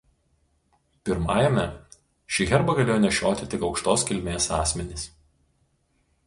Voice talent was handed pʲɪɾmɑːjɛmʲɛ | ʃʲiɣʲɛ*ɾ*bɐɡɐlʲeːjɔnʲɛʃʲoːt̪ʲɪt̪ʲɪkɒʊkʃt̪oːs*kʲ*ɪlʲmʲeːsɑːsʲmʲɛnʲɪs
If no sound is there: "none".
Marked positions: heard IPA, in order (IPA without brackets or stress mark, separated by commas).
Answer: ɾ, kʲ